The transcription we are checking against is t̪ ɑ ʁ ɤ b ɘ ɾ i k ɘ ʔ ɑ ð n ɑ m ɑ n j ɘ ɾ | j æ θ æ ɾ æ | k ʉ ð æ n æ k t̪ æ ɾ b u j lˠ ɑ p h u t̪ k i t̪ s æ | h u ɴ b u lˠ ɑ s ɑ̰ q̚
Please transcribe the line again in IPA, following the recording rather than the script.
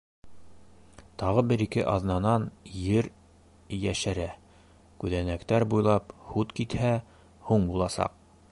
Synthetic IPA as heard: t̪ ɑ ʁ ɤ b ɘ ɾ i k ɘ ʔ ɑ ð n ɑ n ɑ n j ɘ ɾ | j æ ʃ æ ɾ æ | k ʉ ð æ n æ k t̪ æ ɾ b u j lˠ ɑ p h u t̪ k i t̪ h æ | h u ɴ b u lˠ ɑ s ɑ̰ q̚

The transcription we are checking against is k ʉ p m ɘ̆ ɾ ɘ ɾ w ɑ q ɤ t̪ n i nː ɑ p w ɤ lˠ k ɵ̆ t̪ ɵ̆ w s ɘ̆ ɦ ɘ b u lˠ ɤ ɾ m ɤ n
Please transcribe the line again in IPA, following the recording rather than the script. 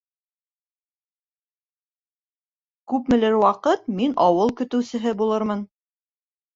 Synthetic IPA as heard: k ʉ p m ɘ̆ l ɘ ɾ w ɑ q ɤ t̪ m i n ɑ w ɤ lˠ k ɵ̆ t̪ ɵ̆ w s ɘ̆ ɦ ɘ b u lˠ ɤ ɾ m ɤ n

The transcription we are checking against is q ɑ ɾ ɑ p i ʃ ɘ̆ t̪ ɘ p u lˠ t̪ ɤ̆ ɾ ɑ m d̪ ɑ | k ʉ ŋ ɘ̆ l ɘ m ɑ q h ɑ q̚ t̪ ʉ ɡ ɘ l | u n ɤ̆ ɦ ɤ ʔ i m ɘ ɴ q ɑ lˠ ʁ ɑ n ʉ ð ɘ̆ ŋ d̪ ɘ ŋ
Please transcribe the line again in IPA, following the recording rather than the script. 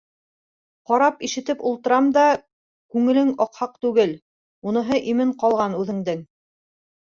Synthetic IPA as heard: q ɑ ɾ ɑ p i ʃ ɘ̆ t̪ ɘ p u lˠ t̪ ɤ̆ ɾ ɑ m d̪ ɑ | k ʉ ŋ ɘ̆ l ɘ ŋ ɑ q h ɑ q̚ t̪ ʉ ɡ ɘ l | u n ɤ̆ ɦ ɤ ʔ i m ɘ ɴ q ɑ lˠ ʁ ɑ n ʉ ð ɘ̆ ŋ d̪ ɘ ŋ

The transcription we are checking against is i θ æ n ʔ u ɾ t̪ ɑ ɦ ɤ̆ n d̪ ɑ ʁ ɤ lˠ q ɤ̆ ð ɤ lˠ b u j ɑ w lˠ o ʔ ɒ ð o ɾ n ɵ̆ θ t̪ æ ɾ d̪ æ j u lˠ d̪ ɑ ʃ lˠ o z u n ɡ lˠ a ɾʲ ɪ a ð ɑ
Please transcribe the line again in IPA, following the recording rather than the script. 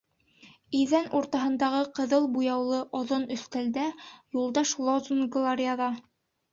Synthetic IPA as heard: i ð æ n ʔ u ɾ t̪ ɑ ɦ ɤ̆ n d̪ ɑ ʁ ɤ q ɤ̆ ð ɤ lˠ b u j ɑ w lˠ ɤ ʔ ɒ ð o n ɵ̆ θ t̪ æ l d̪ æ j u lˠ d̪ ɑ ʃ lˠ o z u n ɡ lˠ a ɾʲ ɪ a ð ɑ

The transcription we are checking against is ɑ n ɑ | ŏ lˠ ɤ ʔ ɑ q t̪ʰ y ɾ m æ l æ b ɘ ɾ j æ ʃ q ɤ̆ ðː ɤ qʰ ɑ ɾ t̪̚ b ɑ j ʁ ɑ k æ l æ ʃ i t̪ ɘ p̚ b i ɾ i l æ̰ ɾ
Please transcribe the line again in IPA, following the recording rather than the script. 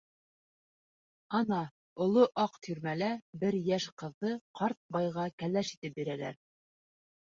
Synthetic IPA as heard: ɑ n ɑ | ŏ lˠ o ʔ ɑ q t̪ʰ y ɾ m æ l æ b ɘ ɾ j æ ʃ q ɤ̆ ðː ɤ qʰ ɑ ɾ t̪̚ b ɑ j ʁ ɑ k æ l æ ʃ i t̪ ɘ p̚ b i ɾ æ l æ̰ ɾ

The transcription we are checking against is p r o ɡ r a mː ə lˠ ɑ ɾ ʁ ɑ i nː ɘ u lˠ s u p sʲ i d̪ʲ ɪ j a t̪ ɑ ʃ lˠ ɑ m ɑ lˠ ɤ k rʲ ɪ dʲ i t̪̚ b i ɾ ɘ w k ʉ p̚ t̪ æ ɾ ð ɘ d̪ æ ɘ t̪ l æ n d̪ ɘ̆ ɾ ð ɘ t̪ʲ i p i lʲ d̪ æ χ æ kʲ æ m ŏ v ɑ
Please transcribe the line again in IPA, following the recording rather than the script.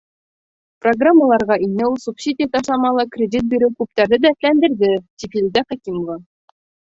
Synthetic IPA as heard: p r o ɡ r a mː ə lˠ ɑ ɾ ʁ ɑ i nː ɘ u lˠ s u p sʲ i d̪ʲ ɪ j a t̪ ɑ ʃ lˠ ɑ m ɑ lˠ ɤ k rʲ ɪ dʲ i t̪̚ b i ɾ ɘ w k ʉ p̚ t̪ æ ɾ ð ɘ d̪ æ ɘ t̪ l æ n d̪ ɘ̆ ɾ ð ɘ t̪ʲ i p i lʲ d̪ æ χ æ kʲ i m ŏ v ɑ

